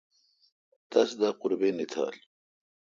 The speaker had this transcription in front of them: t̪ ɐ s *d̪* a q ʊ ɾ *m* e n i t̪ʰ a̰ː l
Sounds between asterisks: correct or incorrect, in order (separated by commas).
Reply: correct, incorrect